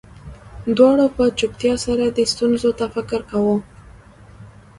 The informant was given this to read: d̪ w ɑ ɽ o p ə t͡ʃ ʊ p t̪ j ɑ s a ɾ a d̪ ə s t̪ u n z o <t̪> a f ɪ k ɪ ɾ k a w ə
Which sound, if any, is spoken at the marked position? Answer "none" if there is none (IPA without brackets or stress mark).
t̪